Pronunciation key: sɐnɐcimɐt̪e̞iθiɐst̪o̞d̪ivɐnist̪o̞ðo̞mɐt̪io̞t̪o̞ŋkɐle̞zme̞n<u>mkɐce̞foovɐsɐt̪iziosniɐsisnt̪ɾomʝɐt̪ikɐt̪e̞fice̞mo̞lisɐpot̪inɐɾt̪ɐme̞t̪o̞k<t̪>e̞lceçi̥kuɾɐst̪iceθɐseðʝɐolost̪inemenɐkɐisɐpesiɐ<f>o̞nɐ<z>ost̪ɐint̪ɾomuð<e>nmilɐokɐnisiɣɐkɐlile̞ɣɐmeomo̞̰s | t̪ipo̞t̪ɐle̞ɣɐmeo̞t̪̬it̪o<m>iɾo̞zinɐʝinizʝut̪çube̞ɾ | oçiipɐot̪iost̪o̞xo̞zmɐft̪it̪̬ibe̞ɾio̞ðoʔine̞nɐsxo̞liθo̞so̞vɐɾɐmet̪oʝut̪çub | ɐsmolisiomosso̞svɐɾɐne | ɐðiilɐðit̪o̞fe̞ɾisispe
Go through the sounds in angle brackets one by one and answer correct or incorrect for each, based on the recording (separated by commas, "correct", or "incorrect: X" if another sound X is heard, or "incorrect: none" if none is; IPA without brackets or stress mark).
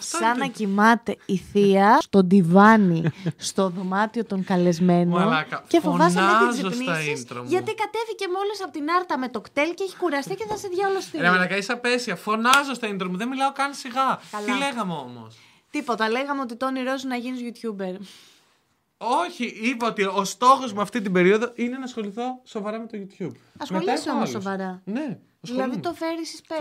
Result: incorrect: o, correct, correct, correct, correct, incorrect: n